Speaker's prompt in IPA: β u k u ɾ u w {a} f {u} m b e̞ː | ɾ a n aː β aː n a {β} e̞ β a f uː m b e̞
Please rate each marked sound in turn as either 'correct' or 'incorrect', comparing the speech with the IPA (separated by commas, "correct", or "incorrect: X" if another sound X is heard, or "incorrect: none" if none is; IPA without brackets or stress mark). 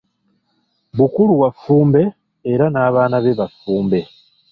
correct, incorrect: uː, correct